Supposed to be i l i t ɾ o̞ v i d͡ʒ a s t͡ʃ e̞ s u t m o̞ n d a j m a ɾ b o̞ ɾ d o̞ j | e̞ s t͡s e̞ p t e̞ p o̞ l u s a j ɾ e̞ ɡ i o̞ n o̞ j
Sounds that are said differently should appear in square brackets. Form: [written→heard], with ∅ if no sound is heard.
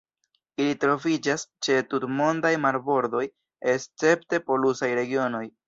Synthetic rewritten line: i l i t ɾ o̞ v i d͡ʒ a s t͡ʃ e̞ [s→t] u t m o̞ n d a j m a ɾ b o̞ ɾ d o̞ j | e̞ s t͡s e̞ p t e̞ p o̞ l u s a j ɾ e̞ ɡ i o̞ n o̞ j